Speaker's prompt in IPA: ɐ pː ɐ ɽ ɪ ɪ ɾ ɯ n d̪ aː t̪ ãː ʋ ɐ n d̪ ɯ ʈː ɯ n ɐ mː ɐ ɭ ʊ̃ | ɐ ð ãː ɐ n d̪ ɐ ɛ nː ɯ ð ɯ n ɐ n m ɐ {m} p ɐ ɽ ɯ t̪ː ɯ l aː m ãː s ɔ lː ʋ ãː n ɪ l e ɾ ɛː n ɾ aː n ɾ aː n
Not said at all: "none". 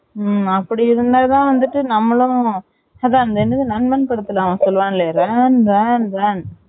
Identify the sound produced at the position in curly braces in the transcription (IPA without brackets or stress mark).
n